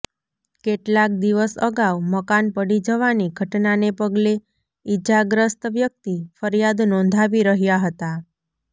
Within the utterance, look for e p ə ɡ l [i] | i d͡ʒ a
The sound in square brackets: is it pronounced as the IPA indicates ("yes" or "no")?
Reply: no